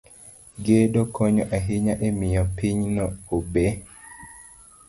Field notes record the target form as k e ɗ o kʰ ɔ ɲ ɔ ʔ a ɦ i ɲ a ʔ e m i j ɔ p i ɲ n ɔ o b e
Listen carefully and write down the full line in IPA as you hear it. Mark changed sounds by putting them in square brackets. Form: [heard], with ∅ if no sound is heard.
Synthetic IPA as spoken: [ɡ] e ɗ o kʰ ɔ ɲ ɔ ʔ a ɦ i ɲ a ʔ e m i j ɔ p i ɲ n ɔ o b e